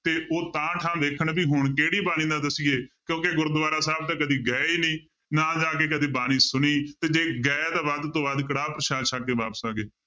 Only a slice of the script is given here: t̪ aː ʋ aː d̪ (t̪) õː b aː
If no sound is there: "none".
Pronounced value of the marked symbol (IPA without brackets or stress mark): t̪